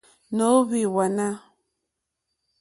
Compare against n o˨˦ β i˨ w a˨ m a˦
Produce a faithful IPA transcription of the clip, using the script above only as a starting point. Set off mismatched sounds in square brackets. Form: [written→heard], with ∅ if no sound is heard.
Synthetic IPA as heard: n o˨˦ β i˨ w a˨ [m→n] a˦